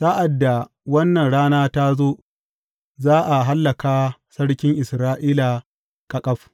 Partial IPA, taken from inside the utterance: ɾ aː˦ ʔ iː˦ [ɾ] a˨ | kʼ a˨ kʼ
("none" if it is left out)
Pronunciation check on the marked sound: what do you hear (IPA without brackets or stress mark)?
l